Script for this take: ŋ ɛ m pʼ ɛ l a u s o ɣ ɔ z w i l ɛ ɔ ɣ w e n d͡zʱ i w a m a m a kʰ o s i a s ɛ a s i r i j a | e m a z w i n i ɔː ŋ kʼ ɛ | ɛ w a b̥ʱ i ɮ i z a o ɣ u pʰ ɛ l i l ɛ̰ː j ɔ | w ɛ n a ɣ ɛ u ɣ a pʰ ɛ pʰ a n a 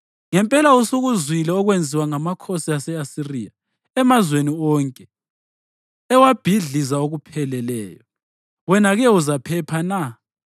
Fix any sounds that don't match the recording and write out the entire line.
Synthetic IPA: ŋ ɛ m pʼ ɛ l a u s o ɣ u z w i l ɛ ɔ ɣ w e n d͡zʱ i w a ŋ a m a kʰ o s i a s ɛ a s i r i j a | ɛ m a z w e n i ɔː ŋ kʼ ɛ | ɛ w a b̥ʱ i ɮ i z a o ɣ u pʰ ɛ l ɛ l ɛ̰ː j ɔ | w ɛ n a ɣ ɛ u z a pʰ ɛ pʰ a n a